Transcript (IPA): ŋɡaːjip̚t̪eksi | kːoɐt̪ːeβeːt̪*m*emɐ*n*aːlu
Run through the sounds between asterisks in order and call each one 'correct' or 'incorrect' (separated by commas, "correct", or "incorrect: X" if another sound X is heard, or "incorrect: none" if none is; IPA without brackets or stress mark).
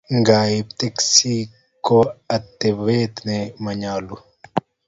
incorrect: n, incorrect: ɲ